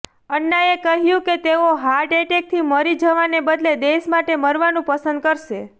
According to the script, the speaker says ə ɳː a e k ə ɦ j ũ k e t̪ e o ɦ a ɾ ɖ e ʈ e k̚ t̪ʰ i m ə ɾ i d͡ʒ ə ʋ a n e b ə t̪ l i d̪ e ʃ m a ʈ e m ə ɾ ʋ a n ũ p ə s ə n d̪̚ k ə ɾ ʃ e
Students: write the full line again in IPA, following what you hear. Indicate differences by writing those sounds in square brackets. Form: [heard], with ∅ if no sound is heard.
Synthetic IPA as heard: ə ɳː a e k ə ɦ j ũ k e t̪ e o ɦ a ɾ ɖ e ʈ e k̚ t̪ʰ i m ə ɾ i d͡ʒ ə ʋ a n e b ə [d̪] l [e] d̪ e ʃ m a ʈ e m ə ɾ ʋ a n ũ p ə s ə n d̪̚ k ə ɾ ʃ e